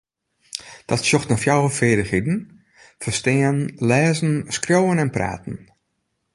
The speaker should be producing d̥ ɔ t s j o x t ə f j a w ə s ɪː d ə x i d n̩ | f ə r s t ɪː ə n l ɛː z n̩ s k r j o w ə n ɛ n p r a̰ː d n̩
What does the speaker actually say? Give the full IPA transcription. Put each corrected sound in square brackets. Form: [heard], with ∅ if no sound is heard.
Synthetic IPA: d̥ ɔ t s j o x t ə f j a w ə [f] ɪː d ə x i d n̩ | f ə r s t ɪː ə n l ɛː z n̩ s k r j o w ə n ɛ n p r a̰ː [t] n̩